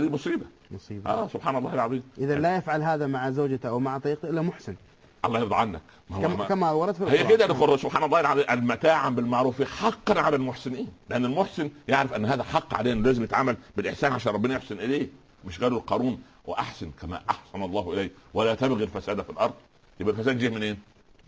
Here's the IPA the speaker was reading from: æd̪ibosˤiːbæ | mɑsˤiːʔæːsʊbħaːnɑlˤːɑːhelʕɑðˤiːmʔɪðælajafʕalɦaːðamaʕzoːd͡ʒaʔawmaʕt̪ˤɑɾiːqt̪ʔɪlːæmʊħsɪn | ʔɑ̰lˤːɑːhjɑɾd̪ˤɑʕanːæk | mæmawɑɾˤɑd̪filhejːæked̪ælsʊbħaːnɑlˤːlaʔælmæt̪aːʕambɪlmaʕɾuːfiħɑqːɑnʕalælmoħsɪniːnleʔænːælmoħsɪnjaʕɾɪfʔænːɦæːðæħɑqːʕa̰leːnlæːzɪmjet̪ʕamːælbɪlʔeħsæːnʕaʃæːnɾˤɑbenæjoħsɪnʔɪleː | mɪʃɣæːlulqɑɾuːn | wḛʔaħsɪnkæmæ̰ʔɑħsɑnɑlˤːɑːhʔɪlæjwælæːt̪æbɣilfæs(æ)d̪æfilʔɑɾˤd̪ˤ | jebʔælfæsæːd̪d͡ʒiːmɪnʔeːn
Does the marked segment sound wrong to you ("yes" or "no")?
yes